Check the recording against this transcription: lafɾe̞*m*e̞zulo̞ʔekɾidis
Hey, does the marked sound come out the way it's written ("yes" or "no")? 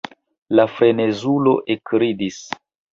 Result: no